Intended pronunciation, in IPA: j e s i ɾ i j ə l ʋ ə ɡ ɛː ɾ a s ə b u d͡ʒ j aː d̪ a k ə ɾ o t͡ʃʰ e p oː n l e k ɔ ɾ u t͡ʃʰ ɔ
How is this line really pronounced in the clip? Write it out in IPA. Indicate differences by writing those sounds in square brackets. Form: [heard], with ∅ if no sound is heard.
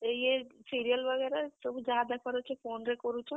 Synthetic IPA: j e s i ɾ i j ə l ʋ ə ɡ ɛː ɾ a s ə b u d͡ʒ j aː d̪ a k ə ɾ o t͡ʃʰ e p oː n [ɾ] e k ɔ ɾ u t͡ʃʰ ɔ